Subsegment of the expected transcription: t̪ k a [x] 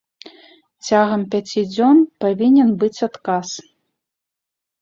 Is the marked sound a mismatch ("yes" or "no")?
yes